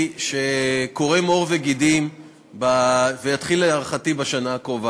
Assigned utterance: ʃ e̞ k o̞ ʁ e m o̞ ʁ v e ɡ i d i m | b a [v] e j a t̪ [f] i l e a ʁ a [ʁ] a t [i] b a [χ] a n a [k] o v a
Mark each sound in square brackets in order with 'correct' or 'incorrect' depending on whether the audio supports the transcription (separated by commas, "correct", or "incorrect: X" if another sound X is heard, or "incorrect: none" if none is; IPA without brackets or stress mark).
correct, incorrect: χ, incorrect: χ, correct, incorrect: ʃ, correct